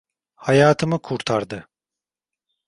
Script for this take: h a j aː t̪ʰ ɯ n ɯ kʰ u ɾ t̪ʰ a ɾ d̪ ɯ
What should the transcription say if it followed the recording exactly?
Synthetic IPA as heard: h a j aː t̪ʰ ɯ m ɯ kʰ u ɾ t̪ʰ a ɾ d̪ ɯ